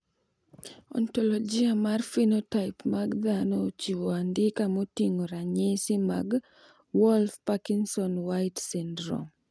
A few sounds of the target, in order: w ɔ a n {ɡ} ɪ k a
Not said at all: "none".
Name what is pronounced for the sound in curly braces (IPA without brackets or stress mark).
d